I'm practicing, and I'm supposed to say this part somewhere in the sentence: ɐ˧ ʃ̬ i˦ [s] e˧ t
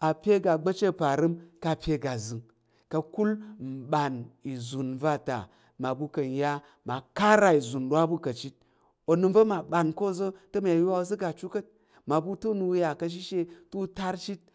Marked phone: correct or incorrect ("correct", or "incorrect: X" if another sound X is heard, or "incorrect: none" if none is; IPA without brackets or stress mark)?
incorrect: ʃ